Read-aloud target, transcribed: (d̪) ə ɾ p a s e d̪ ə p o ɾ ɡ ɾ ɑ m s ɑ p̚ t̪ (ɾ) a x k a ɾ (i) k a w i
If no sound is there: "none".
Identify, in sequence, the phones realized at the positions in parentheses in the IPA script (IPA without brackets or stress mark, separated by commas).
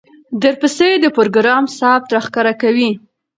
d̪, ɾ, a